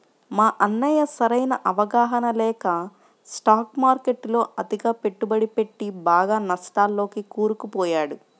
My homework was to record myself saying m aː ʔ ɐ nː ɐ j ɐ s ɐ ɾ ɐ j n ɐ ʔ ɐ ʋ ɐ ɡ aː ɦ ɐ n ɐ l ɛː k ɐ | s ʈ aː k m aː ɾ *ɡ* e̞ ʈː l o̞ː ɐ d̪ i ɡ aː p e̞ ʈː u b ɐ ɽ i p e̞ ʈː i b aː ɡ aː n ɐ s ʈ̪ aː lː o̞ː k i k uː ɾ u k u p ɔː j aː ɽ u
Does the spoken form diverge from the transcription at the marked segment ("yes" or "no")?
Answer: yes